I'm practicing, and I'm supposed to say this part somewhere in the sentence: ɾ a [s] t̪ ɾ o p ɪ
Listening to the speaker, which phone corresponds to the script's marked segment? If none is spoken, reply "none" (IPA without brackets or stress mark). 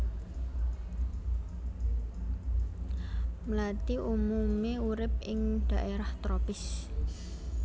h